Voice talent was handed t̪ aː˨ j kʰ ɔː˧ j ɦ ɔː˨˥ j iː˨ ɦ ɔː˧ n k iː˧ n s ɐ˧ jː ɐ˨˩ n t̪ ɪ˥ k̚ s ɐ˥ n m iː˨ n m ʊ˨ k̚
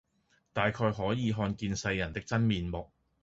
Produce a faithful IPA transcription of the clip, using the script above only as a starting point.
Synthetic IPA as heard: t̪ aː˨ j kʰ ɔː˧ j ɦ ɔː˨˥ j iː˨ ɦ ɔː˧ n k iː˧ n s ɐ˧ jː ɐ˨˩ n t̪ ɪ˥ k̚ t͡s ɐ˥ n m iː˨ n m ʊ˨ k̚